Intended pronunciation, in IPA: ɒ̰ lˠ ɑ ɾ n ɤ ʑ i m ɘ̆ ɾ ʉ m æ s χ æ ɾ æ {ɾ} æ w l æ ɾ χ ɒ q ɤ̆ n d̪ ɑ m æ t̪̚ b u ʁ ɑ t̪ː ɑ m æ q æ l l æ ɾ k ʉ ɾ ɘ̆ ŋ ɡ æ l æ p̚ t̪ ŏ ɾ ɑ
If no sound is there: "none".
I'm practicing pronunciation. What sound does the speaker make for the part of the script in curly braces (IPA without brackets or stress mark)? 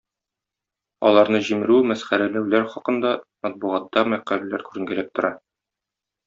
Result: l